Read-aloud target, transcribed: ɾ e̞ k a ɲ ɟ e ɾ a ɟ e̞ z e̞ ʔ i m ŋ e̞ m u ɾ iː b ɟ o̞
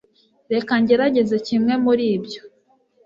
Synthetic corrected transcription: ɾ e̞ k a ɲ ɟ e ɾ a ɟ e̞ z e̞ c i m ŋ e̞ m u ɾ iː b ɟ o̞